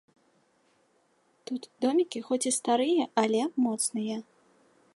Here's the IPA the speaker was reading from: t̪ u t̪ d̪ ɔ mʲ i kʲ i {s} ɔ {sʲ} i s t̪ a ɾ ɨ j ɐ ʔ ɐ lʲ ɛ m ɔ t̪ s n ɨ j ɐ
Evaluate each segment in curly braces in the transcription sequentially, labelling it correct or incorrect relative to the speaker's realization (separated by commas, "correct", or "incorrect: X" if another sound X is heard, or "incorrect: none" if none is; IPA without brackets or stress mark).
incorrect: x, incorrect: t͡sʲ